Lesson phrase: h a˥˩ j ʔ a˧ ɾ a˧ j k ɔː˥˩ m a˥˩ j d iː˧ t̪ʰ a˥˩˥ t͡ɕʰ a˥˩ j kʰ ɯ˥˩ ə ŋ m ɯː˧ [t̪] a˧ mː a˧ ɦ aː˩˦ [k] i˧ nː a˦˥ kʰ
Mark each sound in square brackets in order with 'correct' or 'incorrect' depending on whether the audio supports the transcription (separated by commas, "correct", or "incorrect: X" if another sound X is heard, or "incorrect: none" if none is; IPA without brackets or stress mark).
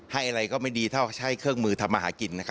incorrect: t̪ʰ, correct